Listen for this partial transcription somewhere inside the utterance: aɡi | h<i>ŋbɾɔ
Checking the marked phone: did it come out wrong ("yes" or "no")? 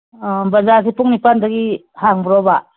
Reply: yes